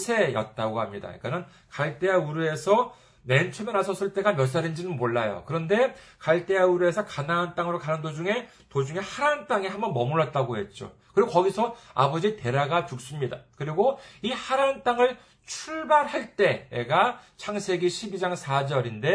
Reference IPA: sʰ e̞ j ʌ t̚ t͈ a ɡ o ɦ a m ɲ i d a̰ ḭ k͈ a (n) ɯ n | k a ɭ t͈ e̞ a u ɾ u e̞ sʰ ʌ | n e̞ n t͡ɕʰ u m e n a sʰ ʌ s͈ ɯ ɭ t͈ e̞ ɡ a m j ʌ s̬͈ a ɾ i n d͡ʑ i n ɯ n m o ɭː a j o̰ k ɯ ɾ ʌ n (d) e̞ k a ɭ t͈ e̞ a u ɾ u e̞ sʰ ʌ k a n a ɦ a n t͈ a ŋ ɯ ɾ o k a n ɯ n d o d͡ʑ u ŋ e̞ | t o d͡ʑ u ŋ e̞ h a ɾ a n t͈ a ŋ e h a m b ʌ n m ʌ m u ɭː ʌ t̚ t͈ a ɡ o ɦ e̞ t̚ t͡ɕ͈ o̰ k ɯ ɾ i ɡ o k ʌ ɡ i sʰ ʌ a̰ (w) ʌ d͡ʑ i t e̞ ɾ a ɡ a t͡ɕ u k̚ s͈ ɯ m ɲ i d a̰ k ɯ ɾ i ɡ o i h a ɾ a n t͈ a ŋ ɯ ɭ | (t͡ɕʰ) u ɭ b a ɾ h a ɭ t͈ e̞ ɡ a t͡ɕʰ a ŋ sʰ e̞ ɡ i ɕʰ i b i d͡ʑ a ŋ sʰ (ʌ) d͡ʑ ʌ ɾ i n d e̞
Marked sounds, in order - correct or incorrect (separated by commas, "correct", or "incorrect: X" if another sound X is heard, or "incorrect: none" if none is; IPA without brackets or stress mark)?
correct, correct, incorrect: b, correct, incorrect: a